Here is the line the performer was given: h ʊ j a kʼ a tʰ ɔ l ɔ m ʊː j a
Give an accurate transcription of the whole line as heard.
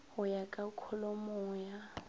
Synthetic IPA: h ʊ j a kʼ a kʰ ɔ l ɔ m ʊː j a